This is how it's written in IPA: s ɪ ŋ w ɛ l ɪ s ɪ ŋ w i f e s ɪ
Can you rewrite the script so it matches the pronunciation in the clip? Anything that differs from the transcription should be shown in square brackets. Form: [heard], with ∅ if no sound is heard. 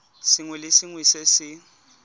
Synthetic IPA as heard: s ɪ ŋ w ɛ l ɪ s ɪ ŋ w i [s] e s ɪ

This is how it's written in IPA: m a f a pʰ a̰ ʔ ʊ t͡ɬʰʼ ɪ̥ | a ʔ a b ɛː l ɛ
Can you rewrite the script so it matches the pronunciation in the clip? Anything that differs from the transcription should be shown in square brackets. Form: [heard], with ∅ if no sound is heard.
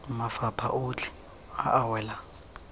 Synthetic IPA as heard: m a f a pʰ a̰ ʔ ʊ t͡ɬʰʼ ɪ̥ | a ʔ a [w] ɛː l [a]

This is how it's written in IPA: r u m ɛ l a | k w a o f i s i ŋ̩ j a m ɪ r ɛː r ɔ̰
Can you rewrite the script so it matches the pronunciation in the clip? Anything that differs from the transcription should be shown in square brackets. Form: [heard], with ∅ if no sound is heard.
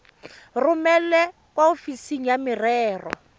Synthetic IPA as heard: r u m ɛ l [ɛ] | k w a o f i s i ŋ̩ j a m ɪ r ɛː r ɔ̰

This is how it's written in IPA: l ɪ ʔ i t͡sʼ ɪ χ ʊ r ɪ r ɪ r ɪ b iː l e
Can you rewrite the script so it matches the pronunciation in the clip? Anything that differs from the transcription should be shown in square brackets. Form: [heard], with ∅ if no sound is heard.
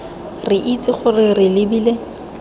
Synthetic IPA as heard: [r] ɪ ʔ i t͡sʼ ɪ χ ʊ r ɪ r ɪ [l] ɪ b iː l e

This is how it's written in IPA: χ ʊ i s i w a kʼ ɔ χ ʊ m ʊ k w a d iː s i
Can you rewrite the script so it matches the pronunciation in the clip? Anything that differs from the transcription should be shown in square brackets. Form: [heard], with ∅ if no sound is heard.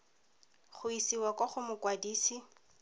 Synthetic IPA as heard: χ ʊ i s i w a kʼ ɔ χ ʊ m ʊ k w a d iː s i

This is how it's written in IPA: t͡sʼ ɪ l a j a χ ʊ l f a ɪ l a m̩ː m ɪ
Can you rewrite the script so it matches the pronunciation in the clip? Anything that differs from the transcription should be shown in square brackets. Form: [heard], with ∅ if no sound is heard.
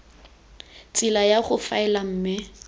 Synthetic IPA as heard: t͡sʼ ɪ l a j a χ ʊ [∅] f a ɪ l a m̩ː m ɪ

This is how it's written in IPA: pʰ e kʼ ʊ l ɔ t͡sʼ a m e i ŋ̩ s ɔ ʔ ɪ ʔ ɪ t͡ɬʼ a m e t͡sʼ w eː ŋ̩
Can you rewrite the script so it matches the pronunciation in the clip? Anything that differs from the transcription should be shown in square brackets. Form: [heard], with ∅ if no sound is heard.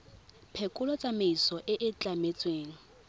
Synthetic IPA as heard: pʰ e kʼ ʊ l ɔ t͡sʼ a m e i [∅] s ɔ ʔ ɪ ʔ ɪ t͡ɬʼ a m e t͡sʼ w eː ŋ̩

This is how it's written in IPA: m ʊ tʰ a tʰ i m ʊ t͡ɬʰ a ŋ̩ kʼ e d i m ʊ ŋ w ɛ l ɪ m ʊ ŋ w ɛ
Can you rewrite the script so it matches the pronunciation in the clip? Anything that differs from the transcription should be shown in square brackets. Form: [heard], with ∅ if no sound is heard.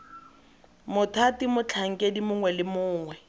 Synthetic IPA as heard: m ʊ tʰ a [t] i m ʊ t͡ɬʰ a ŋ̩ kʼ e d i m ʊ ŋ w ɛ l ɪ m [ʊː] ŋ w ɛ

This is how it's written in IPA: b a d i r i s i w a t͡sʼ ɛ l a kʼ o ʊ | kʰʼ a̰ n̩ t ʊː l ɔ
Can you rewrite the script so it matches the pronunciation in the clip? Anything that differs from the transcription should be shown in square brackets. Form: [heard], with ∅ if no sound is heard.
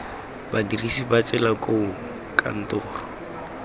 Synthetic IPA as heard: b a d i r i s i [b] a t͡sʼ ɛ l a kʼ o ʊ | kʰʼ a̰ n̩ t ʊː [r] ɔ

